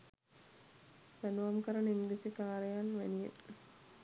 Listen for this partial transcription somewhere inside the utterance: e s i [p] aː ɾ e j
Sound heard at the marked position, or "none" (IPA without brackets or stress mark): k